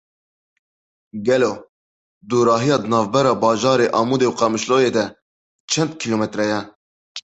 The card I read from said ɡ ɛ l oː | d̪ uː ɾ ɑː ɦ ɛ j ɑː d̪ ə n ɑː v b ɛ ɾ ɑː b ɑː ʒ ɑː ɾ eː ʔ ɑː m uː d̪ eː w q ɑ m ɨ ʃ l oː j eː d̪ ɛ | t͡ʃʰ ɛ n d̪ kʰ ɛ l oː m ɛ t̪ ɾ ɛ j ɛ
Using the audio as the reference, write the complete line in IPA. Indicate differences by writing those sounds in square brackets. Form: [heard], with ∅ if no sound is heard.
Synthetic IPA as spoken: ɡ ɛ l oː | d̪ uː ɾ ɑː ɦ [i] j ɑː d̪ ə n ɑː v b ɛ ɾ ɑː b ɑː ʒ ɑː ɾ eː ʔ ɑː m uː d̪ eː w q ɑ m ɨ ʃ l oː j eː d̪ ɛ | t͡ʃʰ ɛ n d̪ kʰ [i] l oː m ɛ t̪ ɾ ɛ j ɛ